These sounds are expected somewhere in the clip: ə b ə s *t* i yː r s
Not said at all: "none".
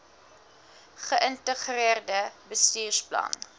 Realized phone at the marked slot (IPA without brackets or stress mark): t